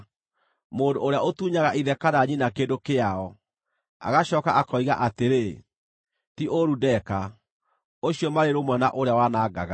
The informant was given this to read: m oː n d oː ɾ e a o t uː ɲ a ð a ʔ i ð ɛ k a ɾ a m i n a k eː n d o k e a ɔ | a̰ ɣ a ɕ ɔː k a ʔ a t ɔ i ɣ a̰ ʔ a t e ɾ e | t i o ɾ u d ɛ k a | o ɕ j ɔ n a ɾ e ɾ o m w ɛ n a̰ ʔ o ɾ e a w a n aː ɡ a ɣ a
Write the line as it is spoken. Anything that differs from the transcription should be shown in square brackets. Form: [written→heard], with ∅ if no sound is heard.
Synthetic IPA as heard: m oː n d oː ɾ e a o t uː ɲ a [ð→ɣ] a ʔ i ð ɛ k a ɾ a [m→ɲ] i n a k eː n d o k e a ɔ | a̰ ɣ a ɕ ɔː k a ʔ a [t→k] ɔ i ɣ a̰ ʔ a t e ɾ e | t i o ɾ u d ɛ k a | o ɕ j ɔ [n→m] a ɾ e ɾ o m w ɛ n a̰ ʔ o ɾ e a w a n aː ɡ a ɣ a